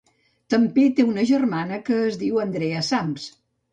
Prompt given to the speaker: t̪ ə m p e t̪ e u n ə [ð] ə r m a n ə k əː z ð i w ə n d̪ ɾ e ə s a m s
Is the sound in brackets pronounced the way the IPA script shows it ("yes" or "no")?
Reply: no